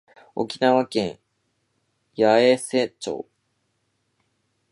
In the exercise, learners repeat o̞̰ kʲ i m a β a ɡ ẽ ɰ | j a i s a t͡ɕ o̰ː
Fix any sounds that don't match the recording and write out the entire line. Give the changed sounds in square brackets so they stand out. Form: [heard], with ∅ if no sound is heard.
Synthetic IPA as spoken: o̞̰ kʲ i [n] a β a [k] ẽ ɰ | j a [e] s [e] t͡ɕ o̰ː